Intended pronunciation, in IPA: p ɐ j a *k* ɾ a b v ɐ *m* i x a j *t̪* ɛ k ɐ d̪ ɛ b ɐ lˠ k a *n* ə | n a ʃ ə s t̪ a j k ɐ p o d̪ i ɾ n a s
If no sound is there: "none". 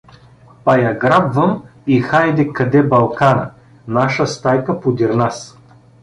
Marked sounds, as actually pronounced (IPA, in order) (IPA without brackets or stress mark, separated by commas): ɡ, m, d̪, n